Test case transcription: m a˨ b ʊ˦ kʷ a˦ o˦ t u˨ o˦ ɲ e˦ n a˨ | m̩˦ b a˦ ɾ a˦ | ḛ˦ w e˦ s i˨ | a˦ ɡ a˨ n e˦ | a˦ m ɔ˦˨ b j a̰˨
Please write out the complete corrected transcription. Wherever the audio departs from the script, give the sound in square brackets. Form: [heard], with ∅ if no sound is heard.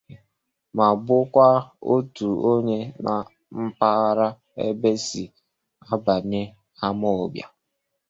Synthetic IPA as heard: m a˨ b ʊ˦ kʷ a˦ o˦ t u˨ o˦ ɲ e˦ n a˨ | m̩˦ [p] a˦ ɾ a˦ | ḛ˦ [b] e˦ s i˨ | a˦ [b] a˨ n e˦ | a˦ m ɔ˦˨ b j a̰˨